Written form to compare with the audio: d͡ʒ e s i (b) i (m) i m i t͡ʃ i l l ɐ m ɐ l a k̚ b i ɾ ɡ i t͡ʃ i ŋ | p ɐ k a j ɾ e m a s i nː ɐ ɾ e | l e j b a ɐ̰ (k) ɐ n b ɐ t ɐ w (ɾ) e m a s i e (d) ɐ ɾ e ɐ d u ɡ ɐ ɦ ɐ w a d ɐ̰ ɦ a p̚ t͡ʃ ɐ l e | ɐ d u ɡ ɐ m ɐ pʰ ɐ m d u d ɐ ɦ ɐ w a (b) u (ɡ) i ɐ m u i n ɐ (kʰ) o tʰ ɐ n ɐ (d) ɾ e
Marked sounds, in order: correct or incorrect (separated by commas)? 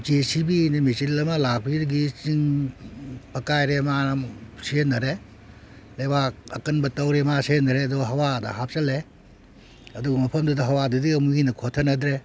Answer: correct, incorrect, correct, correct, incorrect, incorrect, incorrect, correct, correct